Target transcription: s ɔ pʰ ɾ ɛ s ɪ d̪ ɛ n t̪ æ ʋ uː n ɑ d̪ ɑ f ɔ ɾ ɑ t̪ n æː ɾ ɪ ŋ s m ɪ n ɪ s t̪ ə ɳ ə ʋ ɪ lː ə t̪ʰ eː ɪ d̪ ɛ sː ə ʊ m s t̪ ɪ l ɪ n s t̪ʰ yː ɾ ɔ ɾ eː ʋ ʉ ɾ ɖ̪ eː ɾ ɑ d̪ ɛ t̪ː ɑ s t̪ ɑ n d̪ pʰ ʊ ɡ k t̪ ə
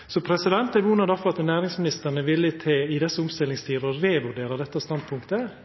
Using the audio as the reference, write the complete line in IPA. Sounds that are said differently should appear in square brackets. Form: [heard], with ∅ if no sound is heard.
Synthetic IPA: s ɔ pʰ ɾ ɛ s ɪ d̪ ɛ n t̪ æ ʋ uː n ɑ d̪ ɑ f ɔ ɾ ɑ t̪ n æː ɾ ɪ ŋ s m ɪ n ɪ s t̪ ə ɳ ə ʋ ɪ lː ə t̪ʰ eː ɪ d̪ ɛ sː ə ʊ m s t̪ ɪ l ɪ [ŋ] s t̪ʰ [iː] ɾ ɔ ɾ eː ʋ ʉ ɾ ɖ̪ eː ɾ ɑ d̪ ɛ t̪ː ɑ s t̪ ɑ n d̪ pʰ ʊ [ŋ] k t̪ ə